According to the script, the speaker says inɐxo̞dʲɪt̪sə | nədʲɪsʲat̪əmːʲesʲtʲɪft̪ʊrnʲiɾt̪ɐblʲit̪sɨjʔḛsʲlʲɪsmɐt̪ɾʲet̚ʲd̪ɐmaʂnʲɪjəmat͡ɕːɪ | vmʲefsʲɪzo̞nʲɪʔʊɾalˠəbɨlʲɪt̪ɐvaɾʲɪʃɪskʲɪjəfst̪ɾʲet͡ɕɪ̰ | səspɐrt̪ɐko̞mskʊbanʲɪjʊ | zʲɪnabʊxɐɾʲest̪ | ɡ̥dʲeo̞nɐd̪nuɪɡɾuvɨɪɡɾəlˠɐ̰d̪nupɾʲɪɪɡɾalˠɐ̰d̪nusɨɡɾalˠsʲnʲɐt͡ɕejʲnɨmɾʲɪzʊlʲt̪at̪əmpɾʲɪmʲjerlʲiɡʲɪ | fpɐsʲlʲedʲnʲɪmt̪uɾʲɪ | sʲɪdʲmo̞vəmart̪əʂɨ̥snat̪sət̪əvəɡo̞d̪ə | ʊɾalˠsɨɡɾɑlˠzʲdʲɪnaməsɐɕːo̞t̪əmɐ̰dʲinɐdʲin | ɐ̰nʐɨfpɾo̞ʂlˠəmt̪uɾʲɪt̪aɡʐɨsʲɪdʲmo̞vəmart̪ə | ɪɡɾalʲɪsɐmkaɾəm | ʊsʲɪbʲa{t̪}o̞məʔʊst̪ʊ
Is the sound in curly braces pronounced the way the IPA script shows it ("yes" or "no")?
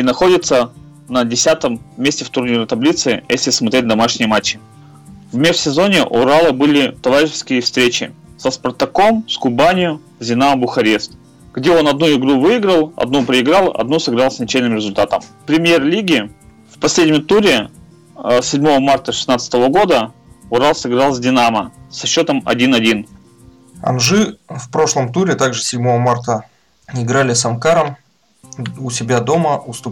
no